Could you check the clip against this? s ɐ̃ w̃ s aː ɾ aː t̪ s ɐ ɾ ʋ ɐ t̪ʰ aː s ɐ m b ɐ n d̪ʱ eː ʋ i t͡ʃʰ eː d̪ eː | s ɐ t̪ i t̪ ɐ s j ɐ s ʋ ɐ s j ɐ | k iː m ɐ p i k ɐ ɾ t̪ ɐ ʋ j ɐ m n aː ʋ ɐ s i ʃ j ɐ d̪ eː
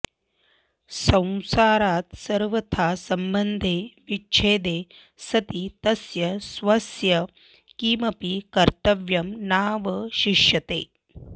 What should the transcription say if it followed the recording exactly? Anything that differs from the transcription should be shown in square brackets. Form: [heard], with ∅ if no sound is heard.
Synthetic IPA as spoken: s ɐ̃ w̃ s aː ɾ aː t̪ s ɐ ɾ ʋ ɐ t̪ʰ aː s ɐ m b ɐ n d̪ʱ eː ʋ i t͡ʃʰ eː d̪ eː | s ɐ t̪ i t̪ ɐ s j ɐ s ʋ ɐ s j ɐ | k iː m ɐ p i k ɐ ɾ t̪ ɐ ʋ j ɐ m n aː ʋ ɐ [ʃ] i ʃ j ɐ [t̪] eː